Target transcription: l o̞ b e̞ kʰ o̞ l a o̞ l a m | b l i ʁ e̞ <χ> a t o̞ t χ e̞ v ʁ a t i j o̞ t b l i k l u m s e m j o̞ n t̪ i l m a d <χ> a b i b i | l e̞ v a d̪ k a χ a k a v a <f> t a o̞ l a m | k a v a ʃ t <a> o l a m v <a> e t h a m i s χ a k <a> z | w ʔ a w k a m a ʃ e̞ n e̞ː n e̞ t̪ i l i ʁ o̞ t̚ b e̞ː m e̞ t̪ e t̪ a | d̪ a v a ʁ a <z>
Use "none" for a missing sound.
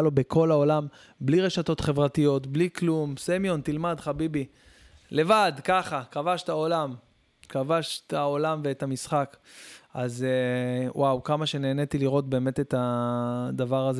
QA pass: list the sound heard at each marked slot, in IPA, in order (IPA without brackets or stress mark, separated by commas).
ʃ, χ, ʃ, a, e, a, z